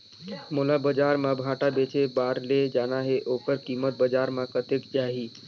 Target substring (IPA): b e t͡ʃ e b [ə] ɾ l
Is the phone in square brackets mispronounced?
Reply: yes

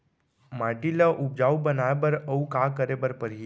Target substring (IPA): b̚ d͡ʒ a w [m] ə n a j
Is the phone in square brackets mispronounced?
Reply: yes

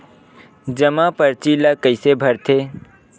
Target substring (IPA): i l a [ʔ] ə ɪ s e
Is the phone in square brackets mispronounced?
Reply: yes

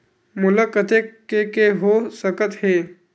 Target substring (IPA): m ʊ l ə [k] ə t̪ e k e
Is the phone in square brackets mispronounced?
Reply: no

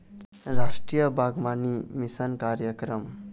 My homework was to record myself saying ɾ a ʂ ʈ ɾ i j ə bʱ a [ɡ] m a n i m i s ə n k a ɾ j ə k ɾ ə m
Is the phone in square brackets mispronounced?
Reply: no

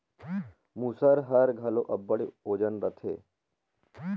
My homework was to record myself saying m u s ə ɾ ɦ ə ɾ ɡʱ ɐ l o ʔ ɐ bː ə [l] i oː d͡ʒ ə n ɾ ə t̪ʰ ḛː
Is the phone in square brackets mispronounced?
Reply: yes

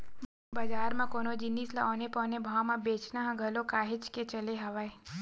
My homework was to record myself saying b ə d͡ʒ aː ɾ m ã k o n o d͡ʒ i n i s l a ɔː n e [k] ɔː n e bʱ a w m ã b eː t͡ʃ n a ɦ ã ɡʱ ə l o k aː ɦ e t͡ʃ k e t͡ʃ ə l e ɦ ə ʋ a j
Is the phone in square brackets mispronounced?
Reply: yes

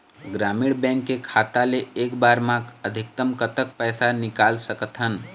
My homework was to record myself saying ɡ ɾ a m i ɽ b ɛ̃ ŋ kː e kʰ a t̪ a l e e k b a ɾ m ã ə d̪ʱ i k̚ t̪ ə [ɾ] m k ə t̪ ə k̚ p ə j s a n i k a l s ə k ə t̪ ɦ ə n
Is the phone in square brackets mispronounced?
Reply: yes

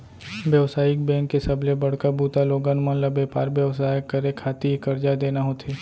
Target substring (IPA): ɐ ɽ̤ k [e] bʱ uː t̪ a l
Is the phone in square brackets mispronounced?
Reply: yes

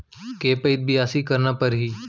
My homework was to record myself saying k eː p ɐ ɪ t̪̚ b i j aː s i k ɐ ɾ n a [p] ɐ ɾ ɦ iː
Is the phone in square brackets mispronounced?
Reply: no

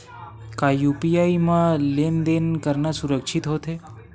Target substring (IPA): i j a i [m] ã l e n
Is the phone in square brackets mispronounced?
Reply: no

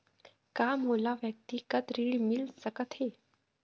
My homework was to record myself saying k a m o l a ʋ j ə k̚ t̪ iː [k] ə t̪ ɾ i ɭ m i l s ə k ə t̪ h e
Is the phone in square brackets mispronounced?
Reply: no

